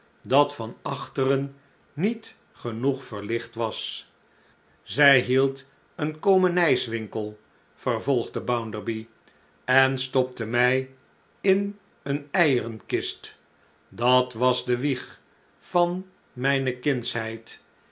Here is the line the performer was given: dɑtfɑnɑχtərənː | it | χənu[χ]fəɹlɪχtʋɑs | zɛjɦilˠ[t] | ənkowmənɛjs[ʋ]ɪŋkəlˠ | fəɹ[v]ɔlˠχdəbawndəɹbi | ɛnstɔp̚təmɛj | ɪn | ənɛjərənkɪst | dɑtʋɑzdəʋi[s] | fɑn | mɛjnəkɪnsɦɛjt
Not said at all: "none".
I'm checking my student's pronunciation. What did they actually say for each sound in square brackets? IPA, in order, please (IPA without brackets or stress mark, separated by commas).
χ, t, ʋ, v, χ